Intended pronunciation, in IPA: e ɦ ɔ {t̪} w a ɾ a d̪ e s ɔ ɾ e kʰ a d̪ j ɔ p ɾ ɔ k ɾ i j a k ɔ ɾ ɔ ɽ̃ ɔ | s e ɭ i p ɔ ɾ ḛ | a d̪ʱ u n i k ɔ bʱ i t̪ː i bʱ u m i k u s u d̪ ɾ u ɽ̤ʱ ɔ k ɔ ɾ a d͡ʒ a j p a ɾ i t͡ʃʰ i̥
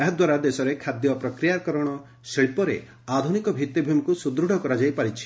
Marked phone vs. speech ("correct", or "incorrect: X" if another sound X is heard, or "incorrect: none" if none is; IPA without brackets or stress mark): incorrect: d̪